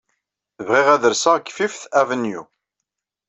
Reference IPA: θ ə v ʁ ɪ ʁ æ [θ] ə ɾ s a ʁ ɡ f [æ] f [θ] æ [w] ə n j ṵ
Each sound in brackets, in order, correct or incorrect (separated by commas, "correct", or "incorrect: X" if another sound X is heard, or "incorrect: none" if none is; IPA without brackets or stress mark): incorrect: ð, incorrect: i, correct, incorrect: v